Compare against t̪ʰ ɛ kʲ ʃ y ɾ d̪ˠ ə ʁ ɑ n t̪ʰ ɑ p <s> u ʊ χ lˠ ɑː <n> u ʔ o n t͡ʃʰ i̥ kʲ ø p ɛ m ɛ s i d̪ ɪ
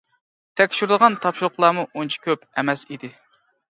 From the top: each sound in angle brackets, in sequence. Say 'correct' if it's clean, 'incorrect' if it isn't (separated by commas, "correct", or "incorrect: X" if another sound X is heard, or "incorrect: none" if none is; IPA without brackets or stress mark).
incorrect: ʃ, incorrect: m